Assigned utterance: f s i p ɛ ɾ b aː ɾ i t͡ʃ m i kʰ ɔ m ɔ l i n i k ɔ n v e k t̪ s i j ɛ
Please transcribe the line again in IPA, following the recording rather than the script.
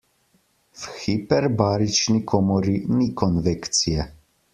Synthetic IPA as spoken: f x i p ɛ ɾ b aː ɾ i t͡ʃ n i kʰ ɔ m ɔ ɾ i n i k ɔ n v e k t̪ s i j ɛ